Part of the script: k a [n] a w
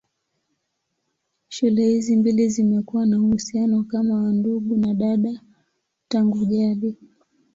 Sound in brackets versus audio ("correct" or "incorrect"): incorrect